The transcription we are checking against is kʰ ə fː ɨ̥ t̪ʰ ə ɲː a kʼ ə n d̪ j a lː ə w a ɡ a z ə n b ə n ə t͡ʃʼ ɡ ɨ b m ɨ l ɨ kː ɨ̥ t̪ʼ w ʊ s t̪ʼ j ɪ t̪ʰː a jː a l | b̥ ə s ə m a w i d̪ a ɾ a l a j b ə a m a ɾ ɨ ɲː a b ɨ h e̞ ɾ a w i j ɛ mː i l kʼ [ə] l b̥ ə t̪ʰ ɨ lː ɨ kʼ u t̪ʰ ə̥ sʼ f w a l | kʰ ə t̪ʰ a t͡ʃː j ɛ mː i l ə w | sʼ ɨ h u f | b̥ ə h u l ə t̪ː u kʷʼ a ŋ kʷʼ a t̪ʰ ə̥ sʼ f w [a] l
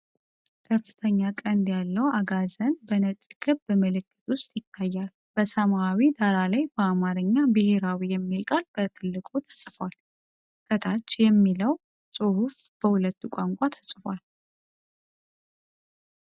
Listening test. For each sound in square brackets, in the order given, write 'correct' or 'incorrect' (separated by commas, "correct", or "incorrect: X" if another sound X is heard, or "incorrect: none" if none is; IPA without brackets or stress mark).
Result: incorrect: a, correct